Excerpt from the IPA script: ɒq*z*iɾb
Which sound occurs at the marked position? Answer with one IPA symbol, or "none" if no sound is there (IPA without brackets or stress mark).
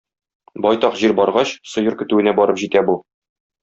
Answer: ʑ